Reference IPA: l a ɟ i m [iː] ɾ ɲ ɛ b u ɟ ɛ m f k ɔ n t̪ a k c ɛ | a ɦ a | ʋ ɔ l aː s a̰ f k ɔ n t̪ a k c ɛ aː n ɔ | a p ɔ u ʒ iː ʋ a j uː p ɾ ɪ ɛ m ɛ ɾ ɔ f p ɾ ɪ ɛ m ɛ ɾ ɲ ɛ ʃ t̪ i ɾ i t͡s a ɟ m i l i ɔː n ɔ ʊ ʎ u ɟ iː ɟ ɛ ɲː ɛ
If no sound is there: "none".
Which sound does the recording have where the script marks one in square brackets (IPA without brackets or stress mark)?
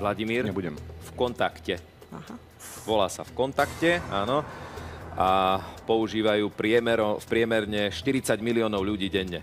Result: iː